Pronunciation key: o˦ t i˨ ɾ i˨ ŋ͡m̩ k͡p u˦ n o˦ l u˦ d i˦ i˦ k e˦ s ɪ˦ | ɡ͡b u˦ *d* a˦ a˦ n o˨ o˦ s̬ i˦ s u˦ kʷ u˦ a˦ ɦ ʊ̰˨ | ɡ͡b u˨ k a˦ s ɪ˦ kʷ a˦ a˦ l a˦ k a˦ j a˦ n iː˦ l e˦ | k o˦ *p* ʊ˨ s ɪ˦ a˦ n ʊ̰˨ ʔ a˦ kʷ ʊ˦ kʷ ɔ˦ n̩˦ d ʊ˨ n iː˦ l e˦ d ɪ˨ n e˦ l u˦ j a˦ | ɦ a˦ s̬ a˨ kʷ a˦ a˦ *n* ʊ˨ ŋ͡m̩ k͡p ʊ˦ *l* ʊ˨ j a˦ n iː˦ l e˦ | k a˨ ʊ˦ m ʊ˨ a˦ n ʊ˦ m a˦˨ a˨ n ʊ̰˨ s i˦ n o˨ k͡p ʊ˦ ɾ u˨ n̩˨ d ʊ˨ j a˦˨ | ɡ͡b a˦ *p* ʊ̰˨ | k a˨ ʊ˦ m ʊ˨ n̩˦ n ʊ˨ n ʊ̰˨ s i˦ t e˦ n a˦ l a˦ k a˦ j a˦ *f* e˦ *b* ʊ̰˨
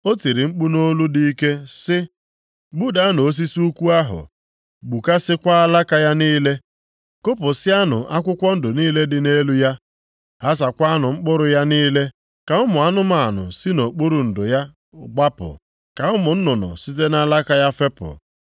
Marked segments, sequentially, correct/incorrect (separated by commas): correct, correct, correct, incorrect, correct, correct, incorrect